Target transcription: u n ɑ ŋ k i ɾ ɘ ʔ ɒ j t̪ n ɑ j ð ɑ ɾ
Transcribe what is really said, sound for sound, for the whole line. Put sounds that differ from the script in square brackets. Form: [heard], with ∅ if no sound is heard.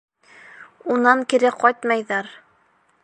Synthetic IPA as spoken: u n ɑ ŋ k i ɾ ɘ [q] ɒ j t̪ [m] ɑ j ð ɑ ɾ